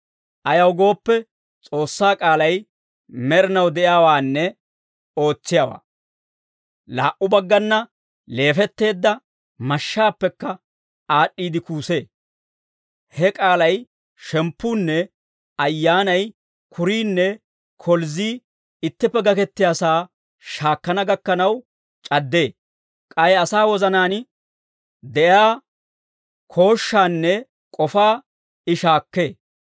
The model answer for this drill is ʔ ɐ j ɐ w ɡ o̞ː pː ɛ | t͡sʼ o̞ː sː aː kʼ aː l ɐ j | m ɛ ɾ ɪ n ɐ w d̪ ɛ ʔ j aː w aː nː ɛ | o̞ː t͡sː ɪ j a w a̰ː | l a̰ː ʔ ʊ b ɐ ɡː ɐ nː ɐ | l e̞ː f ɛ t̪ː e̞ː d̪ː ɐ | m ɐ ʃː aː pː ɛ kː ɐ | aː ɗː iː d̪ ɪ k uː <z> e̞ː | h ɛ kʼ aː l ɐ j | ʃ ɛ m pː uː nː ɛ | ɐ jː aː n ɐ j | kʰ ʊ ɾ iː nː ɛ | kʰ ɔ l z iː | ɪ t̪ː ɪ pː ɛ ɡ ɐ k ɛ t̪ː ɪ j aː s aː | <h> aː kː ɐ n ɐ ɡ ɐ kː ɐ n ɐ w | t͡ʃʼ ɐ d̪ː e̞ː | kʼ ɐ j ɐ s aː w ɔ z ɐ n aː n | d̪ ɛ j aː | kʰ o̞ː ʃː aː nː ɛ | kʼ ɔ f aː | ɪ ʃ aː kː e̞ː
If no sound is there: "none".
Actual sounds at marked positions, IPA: s, ʃ

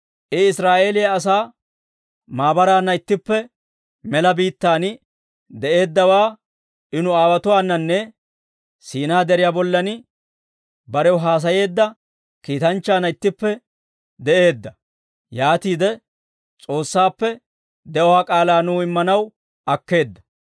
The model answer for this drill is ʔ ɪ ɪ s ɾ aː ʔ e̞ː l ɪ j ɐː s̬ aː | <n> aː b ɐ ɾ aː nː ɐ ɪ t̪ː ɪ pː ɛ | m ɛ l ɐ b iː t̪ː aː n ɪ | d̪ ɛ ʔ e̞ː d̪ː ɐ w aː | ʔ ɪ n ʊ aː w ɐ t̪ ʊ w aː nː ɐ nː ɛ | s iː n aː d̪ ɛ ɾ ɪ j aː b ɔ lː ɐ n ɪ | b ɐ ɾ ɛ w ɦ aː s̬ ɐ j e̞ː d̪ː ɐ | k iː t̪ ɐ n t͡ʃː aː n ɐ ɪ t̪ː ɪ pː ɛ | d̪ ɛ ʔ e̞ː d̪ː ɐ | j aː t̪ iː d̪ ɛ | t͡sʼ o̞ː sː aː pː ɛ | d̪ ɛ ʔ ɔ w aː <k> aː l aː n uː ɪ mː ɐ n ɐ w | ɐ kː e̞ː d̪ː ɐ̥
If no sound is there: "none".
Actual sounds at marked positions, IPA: m, kʼ

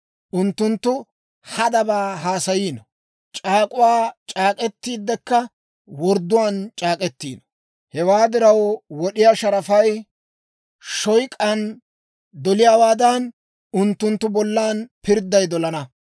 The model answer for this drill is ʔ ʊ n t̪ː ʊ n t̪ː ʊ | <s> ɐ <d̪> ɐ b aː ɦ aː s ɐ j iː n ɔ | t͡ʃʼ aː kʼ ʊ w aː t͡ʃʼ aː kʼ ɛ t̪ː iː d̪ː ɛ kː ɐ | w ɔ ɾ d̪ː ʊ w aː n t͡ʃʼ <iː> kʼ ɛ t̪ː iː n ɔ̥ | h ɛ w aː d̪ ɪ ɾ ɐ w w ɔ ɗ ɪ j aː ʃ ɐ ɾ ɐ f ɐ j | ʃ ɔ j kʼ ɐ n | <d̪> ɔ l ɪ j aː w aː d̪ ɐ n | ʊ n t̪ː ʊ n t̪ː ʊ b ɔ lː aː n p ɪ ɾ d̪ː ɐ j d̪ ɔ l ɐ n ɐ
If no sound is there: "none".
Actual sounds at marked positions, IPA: h, d̪, aː, d̪

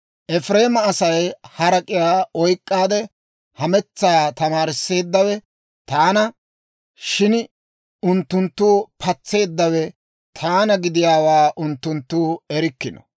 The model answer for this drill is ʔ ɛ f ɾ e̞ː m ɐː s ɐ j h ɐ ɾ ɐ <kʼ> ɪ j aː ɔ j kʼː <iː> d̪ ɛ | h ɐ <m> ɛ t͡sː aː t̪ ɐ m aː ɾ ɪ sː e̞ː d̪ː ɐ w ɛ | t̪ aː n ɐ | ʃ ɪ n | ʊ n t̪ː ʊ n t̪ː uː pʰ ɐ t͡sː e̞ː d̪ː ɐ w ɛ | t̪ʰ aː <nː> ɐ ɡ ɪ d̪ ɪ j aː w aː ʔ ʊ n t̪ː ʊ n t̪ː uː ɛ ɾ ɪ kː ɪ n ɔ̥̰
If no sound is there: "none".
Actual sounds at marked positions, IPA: kʼ, aː, m, n

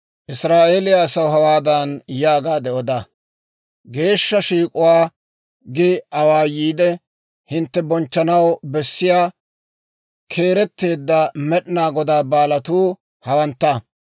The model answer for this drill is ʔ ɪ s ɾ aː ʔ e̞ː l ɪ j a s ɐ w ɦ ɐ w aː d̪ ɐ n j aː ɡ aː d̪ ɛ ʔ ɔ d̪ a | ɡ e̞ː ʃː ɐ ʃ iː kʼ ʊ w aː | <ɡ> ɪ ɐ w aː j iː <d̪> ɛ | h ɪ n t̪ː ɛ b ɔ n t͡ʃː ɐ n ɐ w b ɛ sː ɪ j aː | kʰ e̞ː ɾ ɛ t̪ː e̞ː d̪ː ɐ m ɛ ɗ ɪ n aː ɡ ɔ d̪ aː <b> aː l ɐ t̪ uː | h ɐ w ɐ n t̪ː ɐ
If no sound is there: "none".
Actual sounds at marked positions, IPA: ɡ, d̪, b

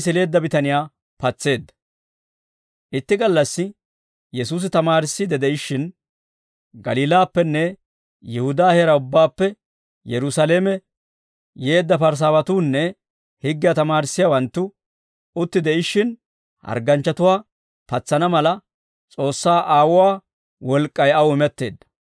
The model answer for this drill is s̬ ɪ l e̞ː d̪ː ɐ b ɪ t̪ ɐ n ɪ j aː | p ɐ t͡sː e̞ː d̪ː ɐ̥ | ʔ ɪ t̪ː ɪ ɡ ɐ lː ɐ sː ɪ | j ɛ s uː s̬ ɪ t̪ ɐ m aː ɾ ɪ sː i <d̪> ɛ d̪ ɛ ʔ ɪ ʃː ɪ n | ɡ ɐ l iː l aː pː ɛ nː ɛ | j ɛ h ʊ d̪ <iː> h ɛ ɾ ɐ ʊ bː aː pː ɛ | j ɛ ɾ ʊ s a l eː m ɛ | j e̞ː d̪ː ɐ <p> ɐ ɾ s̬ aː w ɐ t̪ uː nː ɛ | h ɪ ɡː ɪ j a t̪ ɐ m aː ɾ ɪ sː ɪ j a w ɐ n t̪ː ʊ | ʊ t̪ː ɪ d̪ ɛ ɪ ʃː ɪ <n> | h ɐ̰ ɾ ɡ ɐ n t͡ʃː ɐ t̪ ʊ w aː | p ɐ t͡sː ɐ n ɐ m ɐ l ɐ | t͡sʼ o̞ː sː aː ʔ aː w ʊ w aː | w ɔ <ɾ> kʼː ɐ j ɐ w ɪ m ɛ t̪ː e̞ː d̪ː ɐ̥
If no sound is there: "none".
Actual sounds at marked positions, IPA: d̪, aː, p, n, l

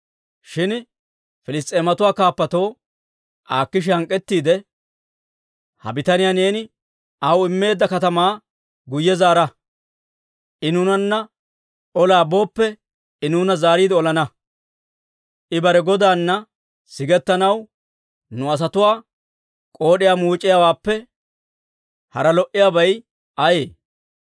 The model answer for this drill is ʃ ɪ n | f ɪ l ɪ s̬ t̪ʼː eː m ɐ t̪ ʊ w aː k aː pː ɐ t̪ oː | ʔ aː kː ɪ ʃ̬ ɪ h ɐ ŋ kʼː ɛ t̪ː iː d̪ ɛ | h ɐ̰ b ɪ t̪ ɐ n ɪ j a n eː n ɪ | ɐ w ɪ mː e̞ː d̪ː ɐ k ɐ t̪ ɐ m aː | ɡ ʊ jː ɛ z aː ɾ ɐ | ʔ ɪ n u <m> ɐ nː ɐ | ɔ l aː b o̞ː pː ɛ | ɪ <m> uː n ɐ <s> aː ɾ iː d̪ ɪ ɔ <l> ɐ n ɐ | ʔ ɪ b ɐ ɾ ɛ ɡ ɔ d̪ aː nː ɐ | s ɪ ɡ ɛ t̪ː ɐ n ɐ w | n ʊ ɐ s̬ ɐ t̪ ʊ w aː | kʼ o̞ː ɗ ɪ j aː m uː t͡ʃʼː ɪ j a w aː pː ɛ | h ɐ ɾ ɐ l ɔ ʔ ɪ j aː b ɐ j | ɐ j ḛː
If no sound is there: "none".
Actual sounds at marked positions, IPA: n, n, z, l

